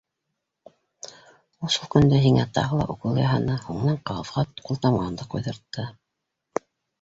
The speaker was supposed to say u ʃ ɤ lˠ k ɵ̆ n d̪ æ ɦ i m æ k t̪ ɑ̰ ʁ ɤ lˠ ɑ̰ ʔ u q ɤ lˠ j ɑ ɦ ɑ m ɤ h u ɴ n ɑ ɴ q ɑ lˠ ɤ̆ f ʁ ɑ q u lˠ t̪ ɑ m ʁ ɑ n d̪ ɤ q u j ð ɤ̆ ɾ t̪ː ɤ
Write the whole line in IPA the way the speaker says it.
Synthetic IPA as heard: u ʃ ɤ lˠ k ɵ̆ n d̪ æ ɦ i ŋ æ t̪ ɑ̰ ʁ ɤ lˠ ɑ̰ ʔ u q ɤ lˠ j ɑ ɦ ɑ n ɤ h u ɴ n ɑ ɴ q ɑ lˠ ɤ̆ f ʁ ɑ q u lˠ t̪ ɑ m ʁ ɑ n d̪ ɤ q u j ð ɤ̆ ɾ t̪ː ɤ